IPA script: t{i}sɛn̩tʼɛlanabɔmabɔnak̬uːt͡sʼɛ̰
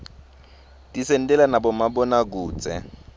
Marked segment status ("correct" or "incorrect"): correct